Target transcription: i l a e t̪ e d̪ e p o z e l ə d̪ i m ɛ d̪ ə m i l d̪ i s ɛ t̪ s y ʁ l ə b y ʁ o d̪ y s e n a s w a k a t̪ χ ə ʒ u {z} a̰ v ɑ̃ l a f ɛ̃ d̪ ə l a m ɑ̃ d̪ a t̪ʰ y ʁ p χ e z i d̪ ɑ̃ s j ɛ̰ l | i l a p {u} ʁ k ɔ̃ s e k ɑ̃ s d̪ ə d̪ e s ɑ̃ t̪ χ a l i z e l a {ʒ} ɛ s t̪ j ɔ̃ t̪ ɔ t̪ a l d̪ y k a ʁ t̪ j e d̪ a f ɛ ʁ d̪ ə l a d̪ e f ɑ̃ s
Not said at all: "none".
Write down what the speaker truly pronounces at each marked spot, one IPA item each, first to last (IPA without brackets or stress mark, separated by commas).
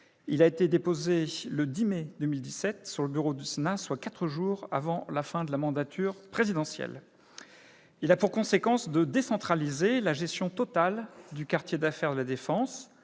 ʁ, u, ʒ